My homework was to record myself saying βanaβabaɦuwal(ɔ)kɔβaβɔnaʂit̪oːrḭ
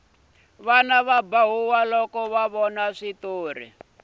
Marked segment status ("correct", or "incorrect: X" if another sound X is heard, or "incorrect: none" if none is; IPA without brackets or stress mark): correct